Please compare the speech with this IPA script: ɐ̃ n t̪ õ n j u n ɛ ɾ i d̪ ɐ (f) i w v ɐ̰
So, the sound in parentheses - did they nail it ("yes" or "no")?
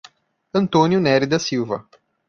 no